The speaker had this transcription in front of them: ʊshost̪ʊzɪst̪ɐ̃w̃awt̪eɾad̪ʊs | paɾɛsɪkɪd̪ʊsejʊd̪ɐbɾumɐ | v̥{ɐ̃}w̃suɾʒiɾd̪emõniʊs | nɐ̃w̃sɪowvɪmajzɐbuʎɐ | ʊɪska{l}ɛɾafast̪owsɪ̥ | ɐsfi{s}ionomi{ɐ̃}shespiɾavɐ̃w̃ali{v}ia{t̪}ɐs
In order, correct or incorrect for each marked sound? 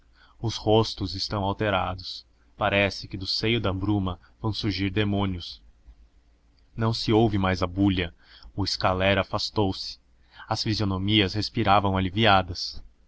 correct, correct, incorrect: z, incorrect: ɐ, correct, incorrect: d̪

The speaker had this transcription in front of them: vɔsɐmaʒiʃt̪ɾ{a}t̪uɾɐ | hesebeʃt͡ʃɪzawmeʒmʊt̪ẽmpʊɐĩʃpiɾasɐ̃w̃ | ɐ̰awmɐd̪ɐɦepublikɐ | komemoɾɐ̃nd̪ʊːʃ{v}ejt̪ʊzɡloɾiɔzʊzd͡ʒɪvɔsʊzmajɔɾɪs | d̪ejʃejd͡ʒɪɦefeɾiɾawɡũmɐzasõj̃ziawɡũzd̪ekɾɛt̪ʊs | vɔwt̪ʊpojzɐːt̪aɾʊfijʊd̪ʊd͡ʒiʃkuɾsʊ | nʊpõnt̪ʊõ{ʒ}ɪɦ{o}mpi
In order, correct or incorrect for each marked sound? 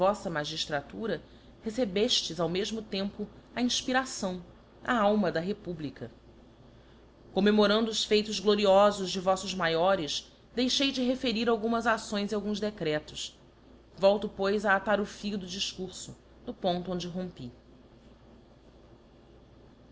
correct, incorrect: f, incorrect: d͡ʒ, incorrect: õ

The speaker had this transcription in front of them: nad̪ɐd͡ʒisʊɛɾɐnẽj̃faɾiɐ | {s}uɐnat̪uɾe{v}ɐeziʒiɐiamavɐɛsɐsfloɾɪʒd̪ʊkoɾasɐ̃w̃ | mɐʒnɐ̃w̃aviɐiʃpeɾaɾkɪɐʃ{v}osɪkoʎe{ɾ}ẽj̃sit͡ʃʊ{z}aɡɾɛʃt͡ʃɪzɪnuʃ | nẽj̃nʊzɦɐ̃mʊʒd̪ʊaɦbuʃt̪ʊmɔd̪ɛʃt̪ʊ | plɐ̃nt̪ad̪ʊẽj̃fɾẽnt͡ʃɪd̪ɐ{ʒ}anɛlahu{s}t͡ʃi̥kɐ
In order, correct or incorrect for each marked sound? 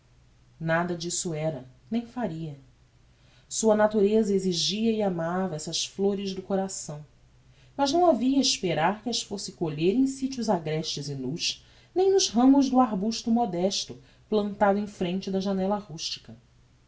correct, incorrect: z, incorrect: f, correct, correct, correct, incorrect: ʃ

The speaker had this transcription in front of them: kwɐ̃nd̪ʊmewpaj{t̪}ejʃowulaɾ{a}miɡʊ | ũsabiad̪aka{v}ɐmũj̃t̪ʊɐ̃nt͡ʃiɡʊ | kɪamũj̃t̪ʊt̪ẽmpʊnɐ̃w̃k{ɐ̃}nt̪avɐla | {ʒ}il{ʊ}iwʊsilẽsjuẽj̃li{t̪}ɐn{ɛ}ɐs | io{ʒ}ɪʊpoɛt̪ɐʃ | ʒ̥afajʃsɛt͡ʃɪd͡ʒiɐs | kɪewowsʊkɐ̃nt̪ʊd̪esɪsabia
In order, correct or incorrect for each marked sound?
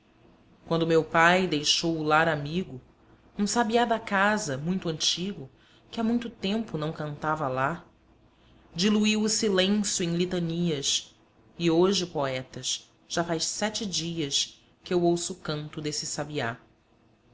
incorrect: d̪, correct, incorrect: z, correct, incorrect: d͡ʒ, incorrect: u, correct, incorrect: i, correct

